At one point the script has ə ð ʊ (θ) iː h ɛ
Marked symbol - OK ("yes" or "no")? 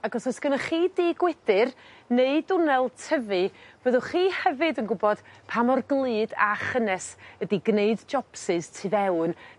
no